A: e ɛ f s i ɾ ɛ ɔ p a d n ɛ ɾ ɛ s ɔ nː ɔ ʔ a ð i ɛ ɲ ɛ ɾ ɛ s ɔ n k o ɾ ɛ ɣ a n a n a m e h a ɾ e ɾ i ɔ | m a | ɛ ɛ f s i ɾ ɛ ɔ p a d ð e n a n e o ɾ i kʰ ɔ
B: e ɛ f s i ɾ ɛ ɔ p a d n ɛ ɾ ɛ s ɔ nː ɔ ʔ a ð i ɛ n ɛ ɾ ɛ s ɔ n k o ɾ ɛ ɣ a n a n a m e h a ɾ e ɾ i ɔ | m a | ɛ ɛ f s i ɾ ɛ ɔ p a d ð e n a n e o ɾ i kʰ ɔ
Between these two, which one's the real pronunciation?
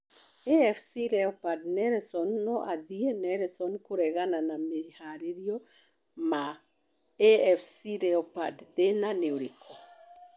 B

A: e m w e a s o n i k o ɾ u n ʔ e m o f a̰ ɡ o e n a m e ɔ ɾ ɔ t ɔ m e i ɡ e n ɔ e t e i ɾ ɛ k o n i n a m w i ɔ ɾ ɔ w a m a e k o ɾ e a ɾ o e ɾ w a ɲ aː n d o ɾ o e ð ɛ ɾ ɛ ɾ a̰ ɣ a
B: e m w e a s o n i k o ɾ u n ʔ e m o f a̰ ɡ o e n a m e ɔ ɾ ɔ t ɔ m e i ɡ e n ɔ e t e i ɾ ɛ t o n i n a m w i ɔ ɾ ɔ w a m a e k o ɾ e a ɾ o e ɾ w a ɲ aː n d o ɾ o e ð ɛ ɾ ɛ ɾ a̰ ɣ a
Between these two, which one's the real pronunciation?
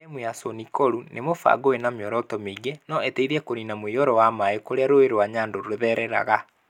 A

